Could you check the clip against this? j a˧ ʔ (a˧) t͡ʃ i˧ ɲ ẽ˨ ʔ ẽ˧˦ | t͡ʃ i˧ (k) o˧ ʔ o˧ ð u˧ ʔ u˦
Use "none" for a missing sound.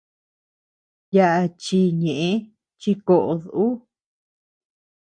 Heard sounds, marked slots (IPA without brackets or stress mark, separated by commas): a˧, k